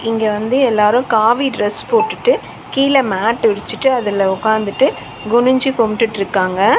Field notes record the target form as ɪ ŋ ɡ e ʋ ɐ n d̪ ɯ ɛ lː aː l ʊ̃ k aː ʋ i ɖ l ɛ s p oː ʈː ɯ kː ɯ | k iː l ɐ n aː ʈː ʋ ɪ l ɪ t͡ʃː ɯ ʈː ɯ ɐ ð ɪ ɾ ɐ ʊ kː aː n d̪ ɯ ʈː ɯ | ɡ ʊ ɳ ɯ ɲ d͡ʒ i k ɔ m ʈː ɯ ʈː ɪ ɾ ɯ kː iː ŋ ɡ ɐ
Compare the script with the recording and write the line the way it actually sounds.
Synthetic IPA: ɪ ŋ ɡ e ʋ ɐ n d̪ ɯ ɛ lː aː ɾ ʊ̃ k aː ʋ i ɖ ɾ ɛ s p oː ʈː ɯ ʈː ɯ | k iː l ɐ m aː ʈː ʋ ɪ ɽ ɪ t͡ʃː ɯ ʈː ɯ ɐ ð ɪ l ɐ ʊ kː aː n d̪ ɯ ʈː ɯ | ɡ ʊ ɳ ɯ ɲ d͡ʒ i k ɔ m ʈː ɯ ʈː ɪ ɾ ɯ kː aː ŋ ɡ ɐ